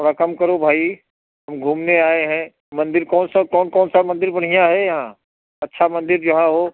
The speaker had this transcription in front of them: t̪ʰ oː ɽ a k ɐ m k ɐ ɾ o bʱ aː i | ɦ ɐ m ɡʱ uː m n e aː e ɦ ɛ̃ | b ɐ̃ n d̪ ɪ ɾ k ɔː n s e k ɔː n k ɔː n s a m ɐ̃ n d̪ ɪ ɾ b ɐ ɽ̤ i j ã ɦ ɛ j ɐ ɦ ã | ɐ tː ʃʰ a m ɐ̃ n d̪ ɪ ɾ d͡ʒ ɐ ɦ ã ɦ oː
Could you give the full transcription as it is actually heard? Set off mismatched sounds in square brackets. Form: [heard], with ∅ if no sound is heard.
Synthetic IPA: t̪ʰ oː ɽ a k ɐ m k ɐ ɾ o bʱ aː i | ɦ ɐ m ɡʱ uː m n e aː e ɦ ɛ̃ | [m] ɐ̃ n d̪ ɪ ɾ k ɔː n s [a] k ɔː n k ɔː n s a m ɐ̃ n d̪ ɪ ɾ b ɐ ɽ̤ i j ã ɦ ɛ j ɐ ɦ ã | ɐ tː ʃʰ a m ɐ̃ n d̪ ɪ ɾ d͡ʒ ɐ ɦ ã ɦ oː